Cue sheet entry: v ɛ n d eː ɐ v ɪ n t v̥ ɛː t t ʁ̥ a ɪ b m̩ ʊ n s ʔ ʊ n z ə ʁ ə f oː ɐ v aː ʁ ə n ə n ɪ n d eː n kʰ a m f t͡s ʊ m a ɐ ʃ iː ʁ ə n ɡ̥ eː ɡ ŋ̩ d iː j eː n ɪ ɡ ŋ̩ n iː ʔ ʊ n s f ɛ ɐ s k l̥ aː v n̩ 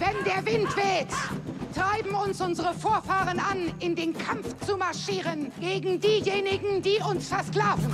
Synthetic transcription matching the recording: v ɛ n d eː ɐ v ɪ n t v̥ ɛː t t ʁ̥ a ɪ b m̩ ʊ n s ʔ ʊ n z ə ʁ ə f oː ɐ f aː ʁ ə n a n ɪ n d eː n kʰ a m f t͡s u m a ɐ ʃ iː ʁ ə n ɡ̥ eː ɡ ŋ̩ d iː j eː n ɪ ɡ ŋ̩ d iː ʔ ʊ n s f ɛ ɐ s k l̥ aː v n̩